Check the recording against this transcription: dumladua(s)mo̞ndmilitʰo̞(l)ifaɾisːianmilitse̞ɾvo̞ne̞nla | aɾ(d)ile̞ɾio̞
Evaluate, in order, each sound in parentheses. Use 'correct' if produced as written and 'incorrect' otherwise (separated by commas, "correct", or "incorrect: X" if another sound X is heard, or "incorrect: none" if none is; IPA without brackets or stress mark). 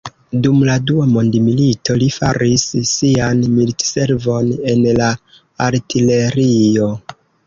incorrect: none, correct, incorrect: t